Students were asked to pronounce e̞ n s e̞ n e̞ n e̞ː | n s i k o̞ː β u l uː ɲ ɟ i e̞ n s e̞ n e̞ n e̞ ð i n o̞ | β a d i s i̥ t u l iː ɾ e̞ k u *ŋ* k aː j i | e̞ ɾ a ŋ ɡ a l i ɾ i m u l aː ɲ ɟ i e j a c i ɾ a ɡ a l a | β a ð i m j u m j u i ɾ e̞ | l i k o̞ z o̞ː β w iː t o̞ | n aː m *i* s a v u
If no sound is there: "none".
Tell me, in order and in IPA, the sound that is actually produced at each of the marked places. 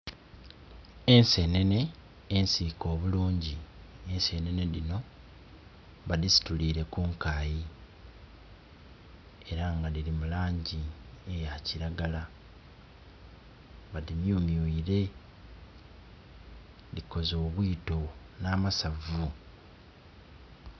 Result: ŋ, a

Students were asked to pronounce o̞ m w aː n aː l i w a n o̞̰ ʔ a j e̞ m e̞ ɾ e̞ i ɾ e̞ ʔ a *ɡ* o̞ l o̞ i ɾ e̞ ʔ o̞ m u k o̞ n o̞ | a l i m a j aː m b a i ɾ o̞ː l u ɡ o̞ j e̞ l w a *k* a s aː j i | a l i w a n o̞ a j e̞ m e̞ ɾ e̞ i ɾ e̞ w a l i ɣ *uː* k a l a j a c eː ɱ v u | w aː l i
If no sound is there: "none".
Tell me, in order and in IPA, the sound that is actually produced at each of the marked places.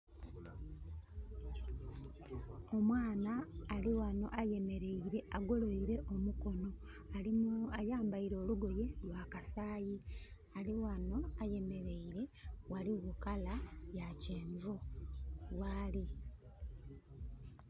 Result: ɡ, k, u

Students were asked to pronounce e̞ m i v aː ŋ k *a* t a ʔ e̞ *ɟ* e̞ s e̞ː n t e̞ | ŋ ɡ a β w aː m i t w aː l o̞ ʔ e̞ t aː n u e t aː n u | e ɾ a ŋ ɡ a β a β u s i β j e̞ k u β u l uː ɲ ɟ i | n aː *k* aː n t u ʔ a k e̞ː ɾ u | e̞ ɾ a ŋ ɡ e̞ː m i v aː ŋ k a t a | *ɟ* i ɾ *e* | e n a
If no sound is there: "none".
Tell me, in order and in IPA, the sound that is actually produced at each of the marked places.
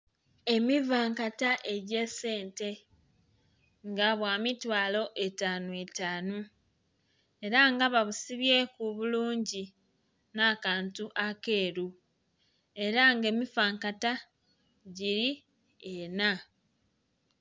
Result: a, ɟ, k, ɟ, i

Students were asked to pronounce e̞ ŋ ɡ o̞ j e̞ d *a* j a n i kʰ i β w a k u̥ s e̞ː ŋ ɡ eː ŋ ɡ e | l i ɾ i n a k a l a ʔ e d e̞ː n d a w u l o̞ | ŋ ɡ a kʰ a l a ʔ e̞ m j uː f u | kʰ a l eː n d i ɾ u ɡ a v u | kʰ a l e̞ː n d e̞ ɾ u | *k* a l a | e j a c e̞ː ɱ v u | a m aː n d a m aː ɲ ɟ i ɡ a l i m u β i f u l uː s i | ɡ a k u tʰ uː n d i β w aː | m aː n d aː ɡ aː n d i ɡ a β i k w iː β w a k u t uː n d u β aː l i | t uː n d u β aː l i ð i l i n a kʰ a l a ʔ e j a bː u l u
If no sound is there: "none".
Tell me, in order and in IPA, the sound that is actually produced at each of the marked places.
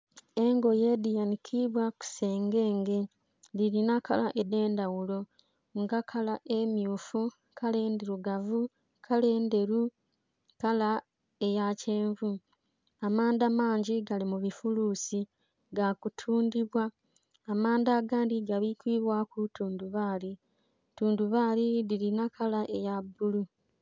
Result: i, k

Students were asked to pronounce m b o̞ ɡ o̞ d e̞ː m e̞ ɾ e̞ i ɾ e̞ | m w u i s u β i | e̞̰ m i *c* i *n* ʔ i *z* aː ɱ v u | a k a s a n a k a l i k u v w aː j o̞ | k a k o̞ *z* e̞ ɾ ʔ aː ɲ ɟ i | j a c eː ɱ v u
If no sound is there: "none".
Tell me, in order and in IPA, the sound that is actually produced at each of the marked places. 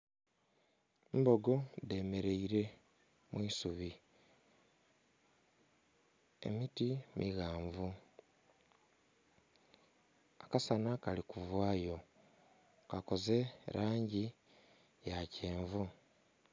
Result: t, m, ɣ, z

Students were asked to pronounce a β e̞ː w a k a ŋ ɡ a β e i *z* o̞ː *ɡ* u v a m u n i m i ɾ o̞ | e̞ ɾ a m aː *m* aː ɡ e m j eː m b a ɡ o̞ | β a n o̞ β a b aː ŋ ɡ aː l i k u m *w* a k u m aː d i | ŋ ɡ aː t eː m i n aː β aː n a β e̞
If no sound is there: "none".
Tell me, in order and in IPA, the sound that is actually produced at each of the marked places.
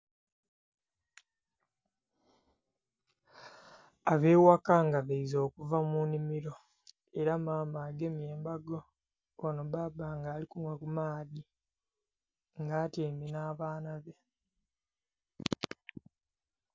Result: z, k, m, w

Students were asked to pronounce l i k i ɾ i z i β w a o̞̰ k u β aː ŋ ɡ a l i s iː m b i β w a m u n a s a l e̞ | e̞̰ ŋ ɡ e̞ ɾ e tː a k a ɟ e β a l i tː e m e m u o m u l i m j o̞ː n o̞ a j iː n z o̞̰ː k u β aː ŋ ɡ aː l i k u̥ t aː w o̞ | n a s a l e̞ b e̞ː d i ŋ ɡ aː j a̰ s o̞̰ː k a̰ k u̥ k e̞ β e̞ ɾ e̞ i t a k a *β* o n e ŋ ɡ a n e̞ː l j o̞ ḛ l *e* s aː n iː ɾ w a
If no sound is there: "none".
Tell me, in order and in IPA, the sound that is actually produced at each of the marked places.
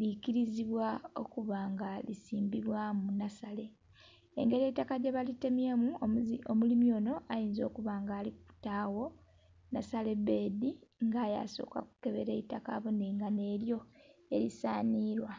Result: β, i

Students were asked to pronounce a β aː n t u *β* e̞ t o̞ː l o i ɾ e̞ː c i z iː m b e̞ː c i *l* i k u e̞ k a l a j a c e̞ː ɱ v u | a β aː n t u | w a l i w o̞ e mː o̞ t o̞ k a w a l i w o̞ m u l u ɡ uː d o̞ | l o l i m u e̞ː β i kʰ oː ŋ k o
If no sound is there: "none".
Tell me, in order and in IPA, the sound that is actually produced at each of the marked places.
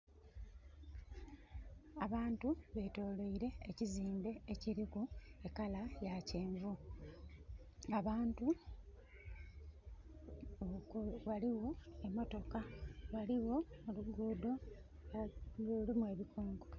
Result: β, ɾ

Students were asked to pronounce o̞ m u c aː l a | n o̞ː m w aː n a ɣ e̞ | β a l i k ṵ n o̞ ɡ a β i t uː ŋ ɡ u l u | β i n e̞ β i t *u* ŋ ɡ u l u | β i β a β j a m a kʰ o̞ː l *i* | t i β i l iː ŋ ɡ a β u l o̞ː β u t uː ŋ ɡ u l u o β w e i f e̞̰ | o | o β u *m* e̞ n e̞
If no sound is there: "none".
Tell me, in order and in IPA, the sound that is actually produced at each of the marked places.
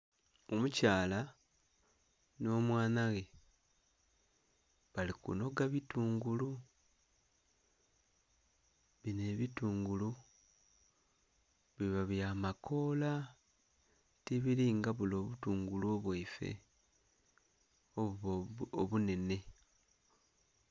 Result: uː, a, n

